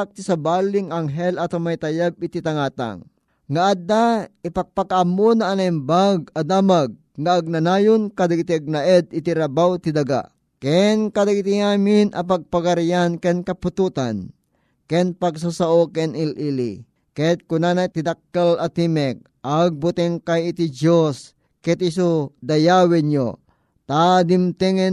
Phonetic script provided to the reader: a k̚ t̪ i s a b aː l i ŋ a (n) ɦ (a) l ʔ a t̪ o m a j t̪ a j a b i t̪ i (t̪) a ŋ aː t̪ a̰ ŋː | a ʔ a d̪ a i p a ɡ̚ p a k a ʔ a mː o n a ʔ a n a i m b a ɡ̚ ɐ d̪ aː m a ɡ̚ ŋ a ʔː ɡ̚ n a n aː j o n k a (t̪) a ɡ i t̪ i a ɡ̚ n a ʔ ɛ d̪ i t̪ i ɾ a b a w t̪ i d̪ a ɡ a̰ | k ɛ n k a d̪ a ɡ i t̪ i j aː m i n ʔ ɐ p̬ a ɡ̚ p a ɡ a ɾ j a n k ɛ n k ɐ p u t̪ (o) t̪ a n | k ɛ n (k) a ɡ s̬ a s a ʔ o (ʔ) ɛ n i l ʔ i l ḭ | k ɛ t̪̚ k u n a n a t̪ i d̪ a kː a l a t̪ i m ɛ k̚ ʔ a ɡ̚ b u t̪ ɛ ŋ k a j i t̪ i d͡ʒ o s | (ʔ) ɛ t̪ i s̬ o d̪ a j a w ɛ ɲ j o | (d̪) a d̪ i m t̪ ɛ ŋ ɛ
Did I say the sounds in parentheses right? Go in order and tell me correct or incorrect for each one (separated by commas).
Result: incorrect, incorrect, correct, incorrect, incorrect, incorrect, incorrect, incorrect, incorrect